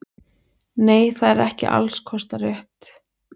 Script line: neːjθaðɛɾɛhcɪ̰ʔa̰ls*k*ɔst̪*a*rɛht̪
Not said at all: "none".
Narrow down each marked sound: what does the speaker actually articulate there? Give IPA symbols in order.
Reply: kʰ, a

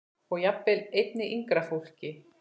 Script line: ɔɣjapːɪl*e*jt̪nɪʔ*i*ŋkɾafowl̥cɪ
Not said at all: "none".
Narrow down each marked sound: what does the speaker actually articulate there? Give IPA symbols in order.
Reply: e, i

